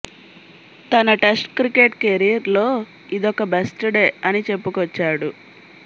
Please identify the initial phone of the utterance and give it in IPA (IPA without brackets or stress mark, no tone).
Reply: t̪